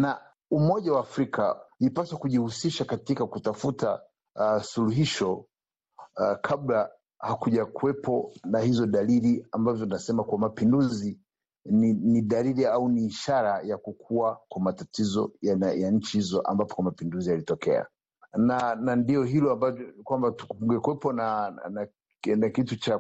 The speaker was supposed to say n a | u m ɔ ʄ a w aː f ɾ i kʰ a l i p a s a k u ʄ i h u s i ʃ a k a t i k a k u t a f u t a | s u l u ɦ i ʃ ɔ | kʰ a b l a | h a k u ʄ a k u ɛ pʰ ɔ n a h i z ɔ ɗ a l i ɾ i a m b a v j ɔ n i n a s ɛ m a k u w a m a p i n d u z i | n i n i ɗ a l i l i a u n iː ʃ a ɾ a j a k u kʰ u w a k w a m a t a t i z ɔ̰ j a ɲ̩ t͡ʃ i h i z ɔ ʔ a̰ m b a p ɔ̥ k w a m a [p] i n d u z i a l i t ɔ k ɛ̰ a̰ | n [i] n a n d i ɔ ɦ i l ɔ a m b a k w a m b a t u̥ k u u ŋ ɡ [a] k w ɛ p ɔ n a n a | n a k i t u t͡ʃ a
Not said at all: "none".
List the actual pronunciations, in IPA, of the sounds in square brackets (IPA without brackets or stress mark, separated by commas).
p, a, ɛ